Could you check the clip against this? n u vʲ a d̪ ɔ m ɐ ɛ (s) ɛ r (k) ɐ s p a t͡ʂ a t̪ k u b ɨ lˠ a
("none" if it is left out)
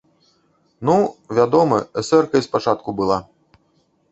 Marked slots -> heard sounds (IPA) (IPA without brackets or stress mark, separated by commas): s, k